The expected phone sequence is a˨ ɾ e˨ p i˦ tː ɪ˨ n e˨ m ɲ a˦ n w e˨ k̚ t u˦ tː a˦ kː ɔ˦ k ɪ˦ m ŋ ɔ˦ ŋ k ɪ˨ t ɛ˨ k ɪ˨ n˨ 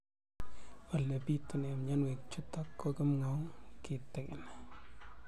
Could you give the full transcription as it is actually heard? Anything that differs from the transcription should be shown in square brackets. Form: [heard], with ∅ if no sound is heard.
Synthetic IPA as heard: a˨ [l] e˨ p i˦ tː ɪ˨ n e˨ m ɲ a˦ n w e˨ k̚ [t͡ʃ] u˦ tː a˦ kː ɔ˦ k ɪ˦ m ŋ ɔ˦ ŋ k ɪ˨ t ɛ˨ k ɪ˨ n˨